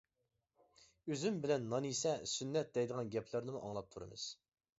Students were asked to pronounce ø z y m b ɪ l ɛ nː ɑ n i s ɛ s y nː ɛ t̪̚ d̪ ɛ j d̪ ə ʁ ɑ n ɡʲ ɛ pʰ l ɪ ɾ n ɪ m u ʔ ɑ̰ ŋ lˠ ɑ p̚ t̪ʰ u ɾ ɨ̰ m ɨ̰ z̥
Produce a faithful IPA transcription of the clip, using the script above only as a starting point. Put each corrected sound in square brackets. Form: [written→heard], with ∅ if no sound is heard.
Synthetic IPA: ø z y m b ɪ l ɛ nː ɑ n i s ɛ s y nː ɛ t̪̚ d̪ ɛ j d̪ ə ʁ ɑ n ɡʲ ɛ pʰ l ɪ ɾ n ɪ m u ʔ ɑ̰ ŋ lˠ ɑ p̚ t̪ʰ u ɾ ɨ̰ m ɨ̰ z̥